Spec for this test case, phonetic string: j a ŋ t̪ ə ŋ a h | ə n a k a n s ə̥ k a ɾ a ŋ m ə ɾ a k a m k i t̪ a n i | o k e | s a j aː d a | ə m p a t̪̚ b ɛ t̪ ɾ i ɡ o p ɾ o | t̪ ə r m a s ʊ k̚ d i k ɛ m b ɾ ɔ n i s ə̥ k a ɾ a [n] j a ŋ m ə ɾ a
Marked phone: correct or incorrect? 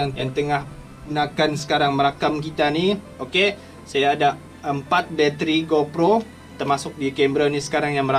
incorrect